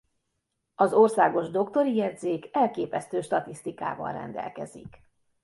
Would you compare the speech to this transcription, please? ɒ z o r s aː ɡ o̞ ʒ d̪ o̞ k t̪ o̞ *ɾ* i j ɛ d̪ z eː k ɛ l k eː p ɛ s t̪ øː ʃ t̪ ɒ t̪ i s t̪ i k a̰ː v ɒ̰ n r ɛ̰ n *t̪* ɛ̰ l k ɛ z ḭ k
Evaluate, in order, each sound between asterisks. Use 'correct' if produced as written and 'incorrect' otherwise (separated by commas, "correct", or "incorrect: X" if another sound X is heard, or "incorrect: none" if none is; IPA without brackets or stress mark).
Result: correct, incorrect: d̪